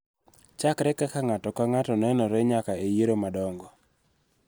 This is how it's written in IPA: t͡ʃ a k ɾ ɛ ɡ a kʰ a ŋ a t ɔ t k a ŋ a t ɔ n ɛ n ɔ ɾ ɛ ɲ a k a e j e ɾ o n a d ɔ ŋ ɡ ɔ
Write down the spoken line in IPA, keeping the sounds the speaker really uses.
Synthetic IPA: t͡ʃ a k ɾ ɛ k a k a ŋ a t ɔ k a ŋ a t ɔ n ɛ n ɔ ɾ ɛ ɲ a k a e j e ɾ o m a d ɔ ŋ ɡ ɔ